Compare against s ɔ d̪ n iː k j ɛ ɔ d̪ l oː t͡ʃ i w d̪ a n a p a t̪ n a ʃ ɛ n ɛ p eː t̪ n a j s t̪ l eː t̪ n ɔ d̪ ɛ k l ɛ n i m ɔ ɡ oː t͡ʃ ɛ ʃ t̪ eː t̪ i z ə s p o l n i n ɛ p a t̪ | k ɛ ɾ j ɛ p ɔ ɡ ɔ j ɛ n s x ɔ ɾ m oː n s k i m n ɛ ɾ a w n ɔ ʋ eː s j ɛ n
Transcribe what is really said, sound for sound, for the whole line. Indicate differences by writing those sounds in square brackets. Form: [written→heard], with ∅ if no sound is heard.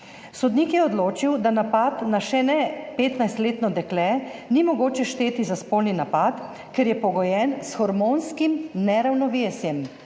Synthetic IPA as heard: s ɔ d̪ n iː k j ɛ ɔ d̪ l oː t͡ʃ i w d̪ a n a p a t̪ n a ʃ ɛ n ɛ p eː t̪ n a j s t̪ l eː t̪ n ɔ d̪ ɛ k l ɛ n i m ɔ ɡ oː t͡ʃ ɛ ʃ t̪ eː t̪ i z [ə→a] s p o l n i n [ɛ→a] p a t̪ | k ɛ ɾ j ɛ p ɔ ɡ ɔ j ɛ n s x ɔ ɾ m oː n s k i m n ɛ ɾ a w n ɔ ʋ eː s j ɛ [n→m]